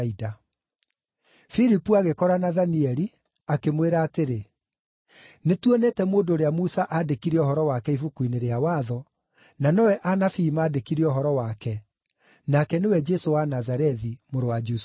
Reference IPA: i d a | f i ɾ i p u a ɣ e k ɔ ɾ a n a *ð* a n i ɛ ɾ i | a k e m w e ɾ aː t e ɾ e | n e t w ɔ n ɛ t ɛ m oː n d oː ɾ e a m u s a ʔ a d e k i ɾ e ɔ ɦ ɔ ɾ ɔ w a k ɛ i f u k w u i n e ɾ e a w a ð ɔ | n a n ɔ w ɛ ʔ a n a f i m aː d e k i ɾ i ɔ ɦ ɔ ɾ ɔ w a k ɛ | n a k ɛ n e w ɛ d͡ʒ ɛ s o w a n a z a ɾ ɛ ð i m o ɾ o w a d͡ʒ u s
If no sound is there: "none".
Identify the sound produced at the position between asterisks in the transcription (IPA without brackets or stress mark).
ð